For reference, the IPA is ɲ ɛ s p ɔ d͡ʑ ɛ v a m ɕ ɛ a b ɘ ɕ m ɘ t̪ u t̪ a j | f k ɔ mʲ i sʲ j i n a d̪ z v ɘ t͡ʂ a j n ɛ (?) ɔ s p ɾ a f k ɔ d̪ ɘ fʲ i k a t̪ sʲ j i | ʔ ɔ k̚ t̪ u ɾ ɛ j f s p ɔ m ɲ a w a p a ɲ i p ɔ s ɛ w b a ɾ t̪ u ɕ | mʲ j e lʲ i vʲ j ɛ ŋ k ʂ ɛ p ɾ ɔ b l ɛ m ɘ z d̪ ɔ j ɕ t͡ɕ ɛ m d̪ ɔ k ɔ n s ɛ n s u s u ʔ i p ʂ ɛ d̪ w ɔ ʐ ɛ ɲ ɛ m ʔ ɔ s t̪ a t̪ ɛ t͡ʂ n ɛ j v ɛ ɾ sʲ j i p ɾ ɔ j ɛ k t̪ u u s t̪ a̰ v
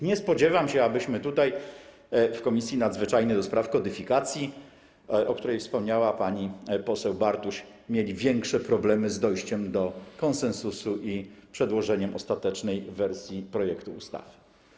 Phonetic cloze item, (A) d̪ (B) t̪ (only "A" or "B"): A